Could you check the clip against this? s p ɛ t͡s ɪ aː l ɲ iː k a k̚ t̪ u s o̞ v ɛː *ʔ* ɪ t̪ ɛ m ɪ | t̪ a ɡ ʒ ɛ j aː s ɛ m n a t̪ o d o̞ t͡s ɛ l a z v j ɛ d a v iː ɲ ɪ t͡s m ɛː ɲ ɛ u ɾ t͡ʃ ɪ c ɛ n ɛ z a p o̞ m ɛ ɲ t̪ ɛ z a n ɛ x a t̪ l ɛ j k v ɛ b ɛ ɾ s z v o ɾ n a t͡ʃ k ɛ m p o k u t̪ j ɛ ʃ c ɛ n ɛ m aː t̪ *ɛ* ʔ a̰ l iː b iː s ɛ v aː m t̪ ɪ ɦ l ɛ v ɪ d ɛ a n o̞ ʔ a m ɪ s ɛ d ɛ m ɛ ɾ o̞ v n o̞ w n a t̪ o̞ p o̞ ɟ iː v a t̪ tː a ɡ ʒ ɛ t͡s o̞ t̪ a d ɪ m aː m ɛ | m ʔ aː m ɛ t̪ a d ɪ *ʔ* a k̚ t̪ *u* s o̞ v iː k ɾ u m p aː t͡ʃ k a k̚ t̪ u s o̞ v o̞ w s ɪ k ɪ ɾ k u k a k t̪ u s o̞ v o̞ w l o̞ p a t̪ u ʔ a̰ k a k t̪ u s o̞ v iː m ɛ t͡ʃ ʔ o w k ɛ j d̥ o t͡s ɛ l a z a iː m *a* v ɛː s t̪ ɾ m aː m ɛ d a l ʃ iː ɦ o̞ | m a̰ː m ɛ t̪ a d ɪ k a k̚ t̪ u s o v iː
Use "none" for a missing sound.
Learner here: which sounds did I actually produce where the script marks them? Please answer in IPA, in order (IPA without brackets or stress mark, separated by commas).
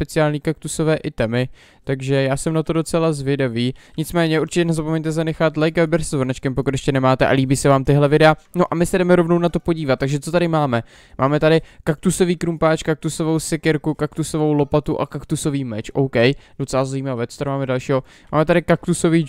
ʔ, ɛ, k, u, a